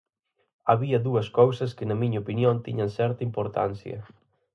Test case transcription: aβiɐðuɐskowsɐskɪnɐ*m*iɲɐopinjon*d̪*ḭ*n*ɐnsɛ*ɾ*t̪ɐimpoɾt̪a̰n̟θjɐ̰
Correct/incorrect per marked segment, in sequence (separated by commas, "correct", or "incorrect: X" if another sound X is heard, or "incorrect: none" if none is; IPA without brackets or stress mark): correct, incorrect: t̪, incorrect: ɲ, correct